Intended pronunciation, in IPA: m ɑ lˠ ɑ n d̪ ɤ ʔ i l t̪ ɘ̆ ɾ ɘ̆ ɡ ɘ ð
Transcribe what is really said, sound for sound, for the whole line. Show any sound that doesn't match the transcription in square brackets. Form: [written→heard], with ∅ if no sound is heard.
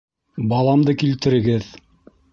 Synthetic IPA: [m→b] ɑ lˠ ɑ [n→m] d̪ ɤ [ʔ→k] i l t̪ ɘ̆ ɾ ɘ̆ ɡ ɘ ð